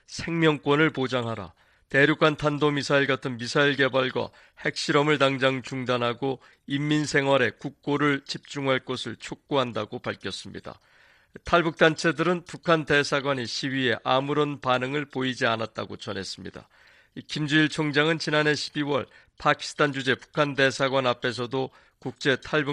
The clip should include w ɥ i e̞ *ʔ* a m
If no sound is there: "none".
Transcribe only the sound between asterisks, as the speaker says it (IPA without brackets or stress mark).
ʔ